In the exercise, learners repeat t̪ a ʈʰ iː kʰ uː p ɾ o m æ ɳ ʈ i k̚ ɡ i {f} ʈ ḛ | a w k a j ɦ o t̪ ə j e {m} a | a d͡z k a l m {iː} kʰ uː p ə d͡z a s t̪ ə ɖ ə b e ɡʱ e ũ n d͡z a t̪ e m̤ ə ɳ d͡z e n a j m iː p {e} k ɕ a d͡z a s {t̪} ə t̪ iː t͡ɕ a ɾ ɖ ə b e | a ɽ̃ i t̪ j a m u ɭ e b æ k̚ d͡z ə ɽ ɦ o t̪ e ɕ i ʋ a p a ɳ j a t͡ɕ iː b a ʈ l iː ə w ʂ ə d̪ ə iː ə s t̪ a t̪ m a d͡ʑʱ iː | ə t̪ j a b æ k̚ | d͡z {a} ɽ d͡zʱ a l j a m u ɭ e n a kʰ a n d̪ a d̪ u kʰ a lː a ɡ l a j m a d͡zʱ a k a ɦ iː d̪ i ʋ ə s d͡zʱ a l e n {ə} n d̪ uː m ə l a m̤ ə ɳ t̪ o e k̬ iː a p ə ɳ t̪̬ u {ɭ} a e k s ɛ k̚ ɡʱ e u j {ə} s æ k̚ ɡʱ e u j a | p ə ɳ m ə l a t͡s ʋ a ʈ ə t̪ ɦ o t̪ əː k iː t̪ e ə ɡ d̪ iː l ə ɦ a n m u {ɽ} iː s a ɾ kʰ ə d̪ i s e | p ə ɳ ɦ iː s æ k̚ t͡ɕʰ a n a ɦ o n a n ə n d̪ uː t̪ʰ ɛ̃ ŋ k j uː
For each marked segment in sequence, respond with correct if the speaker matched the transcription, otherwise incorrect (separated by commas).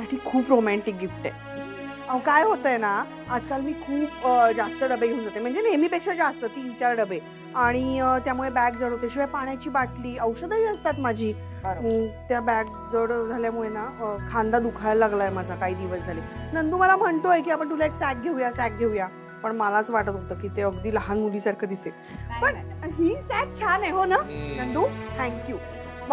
correct, incorrect, correct, correct, correct, incorrect, correct, incorrect, incorrect, incorrect